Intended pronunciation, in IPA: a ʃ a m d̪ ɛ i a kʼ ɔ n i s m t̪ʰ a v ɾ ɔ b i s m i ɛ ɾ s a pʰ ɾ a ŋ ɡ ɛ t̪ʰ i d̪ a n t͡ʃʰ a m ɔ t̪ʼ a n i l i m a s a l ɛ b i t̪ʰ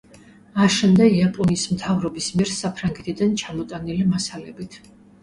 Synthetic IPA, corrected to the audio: a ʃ ɛ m d̪ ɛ i a pʼ ɔ n i s m t̪ʰ a v ɾ ɔ b i s m i ɛ ɾ s a pʰ ɾ a ŋ ɡ ɛ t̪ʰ i d̪ a n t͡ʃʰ a m ɔ t̪ʼ a n i l i m a s a l ɛ b i t̪ʰ